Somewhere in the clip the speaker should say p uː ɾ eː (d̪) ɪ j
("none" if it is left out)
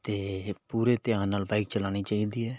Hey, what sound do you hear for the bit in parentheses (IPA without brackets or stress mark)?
t̪